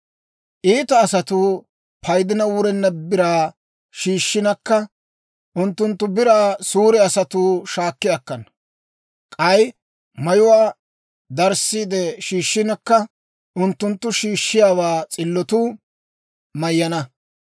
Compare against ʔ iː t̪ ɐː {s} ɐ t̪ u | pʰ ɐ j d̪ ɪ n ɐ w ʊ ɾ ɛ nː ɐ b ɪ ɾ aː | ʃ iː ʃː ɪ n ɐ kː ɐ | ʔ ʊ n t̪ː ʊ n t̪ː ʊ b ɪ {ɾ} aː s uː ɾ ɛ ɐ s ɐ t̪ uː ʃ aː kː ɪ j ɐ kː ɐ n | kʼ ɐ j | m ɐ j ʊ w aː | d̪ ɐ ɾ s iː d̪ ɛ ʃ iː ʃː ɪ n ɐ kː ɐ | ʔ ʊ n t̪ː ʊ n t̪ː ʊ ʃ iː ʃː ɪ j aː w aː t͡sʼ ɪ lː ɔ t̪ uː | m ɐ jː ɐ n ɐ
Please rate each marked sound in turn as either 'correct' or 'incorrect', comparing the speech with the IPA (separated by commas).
correct, correct